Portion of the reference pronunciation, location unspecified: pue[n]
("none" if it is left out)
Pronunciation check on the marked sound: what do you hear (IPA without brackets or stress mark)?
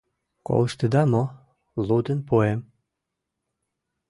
m